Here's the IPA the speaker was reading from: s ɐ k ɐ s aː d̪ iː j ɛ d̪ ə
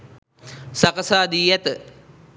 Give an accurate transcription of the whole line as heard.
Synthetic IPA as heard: s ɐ k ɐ s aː d̪ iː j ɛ t̪ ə